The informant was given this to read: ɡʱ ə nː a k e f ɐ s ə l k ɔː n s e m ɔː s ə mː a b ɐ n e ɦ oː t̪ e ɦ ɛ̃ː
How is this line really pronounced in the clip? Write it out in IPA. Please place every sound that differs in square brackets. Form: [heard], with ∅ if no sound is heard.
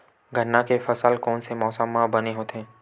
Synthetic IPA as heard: ɡʱ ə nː a k e f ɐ s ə l k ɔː n s e m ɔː s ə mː a b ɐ n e ɦ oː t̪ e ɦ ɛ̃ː